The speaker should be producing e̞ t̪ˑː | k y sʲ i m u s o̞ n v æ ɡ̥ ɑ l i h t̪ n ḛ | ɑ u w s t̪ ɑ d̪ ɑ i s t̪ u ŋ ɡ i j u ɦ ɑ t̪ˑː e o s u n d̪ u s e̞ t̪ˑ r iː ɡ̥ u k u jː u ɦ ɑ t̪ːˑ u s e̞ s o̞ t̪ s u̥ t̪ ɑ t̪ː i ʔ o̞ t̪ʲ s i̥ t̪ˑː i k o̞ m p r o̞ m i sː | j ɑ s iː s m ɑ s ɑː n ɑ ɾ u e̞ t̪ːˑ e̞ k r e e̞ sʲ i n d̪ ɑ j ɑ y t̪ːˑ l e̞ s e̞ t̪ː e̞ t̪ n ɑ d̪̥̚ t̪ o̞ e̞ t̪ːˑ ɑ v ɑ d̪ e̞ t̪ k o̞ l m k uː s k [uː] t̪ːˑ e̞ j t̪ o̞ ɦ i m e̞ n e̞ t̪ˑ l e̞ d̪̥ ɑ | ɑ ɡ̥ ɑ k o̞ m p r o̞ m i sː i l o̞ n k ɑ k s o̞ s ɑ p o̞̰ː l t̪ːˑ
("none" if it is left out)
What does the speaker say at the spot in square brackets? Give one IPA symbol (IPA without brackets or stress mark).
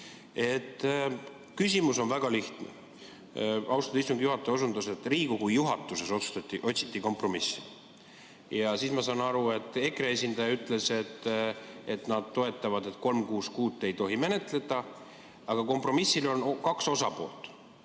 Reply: uː